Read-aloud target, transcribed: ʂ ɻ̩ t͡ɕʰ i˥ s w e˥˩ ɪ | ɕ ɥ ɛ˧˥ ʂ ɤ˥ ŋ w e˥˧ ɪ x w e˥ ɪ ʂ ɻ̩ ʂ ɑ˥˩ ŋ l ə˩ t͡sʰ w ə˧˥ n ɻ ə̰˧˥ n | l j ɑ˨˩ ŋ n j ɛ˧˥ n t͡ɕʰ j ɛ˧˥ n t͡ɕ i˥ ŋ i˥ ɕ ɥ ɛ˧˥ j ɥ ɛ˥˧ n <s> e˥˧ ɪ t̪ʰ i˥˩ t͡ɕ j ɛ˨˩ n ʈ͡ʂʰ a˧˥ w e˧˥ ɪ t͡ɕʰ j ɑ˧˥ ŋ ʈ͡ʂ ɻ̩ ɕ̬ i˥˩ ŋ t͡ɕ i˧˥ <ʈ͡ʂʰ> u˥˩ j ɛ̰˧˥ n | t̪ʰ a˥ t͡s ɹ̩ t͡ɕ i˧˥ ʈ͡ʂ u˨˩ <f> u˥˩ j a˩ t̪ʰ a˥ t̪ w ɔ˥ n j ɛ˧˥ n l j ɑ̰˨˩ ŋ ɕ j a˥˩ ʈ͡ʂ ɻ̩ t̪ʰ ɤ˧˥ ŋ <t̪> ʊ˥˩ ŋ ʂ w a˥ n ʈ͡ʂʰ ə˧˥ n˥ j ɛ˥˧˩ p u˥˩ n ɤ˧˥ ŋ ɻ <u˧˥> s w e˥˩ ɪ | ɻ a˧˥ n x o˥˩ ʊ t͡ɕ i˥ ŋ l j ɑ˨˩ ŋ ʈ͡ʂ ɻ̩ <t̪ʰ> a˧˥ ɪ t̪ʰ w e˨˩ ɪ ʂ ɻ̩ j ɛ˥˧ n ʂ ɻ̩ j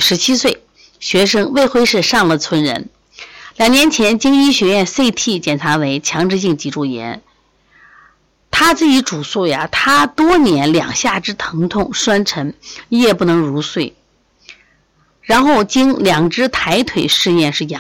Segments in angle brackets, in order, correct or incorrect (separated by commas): correct, incorrect, incorrect, incorrect, correct, correct